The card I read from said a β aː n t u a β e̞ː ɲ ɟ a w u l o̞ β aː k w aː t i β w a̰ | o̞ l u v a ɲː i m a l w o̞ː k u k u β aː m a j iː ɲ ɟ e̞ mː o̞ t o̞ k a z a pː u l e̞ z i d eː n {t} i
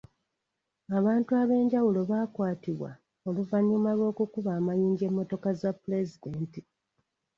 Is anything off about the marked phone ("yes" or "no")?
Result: no